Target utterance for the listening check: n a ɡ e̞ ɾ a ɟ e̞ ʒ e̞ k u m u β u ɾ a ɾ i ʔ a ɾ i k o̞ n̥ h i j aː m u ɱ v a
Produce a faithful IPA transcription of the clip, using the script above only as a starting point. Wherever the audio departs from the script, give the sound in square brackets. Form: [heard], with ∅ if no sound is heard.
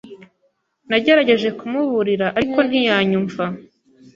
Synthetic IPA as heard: n a [ɟ] e̞ ɾ a ɟ e̞ ʒ e̞ k u m u β u ɾ [i] ɾ [a] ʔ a ɾ i k o̞ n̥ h i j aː [ɲ] u ɱ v a